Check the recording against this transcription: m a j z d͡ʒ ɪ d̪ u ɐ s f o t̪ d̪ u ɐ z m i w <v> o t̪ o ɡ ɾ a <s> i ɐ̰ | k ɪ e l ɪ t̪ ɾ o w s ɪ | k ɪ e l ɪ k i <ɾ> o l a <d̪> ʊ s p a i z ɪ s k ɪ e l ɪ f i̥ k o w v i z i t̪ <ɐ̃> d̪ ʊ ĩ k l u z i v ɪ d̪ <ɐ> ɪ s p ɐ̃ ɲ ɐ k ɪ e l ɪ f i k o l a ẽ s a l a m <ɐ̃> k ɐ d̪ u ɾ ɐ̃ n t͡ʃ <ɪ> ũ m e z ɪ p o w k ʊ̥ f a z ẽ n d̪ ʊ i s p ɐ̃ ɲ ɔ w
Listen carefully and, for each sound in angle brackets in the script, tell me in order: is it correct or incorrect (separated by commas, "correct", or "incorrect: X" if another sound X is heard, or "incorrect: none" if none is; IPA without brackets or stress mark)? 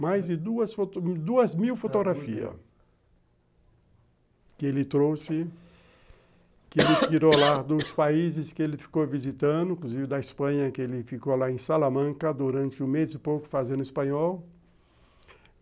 incorrect: f, incorrect: f, correct, correct, correct, correct, correct, correct